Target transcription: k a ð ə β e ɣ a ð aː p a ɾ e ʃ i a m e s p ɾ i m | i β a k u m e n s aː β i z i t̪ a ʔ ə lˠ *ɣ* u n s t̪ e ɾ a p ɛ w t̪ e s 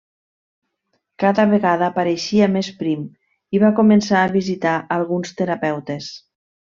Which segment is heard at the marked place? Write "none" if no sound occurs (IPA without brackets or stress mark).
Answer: ɣ